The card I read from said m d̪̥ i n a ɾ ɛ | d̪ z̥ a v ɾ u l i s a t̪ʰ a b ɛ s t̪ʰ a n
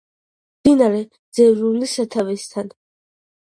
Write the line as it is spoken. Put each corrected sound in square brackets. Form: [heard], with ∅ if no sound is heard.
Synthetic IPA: m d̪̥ i n a ɾ ɛ | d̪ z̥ [ɛ] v ɾ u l i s a t̪ʰ a [v] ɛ s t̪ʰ a n